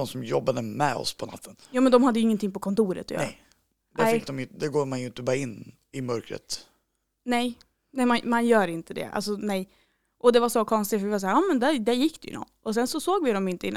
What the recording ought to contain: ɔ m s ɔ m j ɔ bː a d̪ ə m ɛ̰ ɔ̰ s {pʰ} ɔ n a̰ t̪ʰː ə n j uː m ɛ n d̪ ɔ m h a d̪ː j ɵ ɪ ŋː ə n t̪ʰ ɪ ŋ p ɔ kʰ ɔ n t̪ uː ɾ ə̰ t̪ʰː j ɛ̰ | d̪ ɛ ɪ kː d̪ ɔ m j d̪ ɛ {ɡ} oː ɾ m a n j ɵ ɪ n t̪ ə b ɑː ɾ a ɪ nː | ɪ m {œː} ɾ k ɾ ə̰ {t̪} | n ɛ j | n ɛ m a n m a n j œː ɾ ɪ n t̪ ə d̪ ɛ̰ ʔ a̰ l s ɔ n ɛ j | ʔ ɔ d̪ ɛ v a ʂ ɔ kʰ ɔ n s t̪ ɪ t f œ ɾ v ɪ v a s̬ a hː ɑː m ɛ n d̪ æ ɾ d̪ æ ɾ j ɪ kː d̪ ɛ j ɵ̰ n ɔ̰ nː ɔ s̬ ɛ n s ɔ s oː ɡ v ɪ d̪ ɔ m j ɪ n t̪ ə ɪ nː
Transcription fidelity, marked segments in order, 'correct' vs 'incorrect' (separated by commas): correct, correct, incorrect, correct